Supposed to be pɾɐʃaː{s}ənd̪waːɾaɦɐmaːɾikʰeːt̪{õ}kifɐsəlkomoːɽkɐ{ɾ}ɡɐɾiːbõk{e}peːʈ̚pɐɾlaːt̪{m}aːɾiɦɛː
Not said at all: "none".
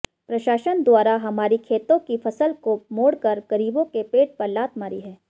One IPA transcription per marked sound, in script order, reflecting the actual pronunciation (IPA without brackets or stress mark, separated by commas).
ʃ, õ, ɾ, e, m